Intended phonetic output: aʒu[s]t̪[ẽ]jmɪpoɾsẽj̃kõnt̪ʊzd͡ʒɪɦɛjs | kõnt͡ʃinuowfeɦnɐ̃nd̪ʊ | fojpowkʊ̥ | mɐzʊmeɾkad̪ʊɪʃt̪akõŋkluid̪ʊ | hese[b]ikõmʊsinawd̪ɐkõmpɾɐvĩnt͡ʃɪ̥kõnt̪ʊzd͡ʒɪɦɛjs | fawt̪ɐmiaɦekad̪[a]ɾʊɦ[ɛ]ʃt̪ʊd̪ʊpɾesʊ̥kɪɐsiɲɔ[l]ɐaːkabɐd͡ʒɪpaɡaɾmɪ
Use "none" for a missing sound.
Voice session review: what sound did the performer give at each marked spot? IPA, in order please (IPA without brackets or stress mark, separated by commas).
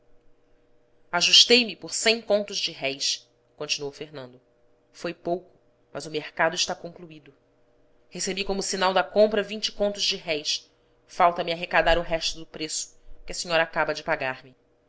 ʃ, e, b, a, ɛ, ɾ